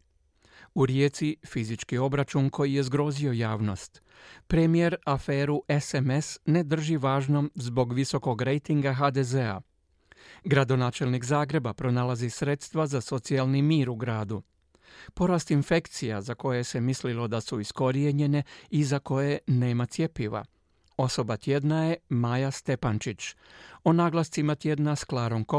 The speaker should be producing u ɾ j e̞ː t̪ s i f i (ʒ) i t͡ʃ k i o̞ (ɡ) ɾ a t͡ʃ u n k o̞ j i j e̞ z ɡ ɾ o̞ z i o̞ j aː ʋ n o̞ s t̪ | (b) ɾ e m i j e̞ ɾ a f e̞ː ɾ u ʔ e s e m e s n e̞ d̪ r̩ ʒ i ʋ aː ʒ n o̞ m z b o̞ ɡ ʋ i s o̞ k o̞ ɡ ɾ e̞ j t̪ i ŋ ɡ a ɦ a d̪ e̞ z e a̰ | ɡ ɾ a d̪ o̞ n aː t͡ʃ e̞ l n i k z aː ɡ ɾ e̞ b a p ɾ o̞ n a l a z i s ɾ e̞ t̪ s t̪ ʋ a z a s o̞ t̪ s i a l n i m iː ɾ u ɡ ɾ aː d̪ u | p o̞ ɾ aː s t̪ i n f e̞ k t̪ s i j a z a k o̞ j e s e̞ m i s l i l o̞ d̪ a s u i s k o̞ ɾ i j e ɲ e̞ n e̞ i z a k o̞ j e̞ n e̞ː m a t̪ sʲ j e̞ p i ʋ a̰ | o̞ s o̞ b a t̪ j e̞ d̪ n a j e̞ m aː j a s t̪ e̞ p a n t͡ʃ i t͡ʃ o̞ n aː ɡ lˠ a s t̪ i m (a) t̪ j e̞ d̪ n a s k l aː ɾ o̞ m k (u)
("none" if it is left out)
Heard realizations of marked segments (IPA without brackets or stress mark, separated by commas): z, b, p, a, o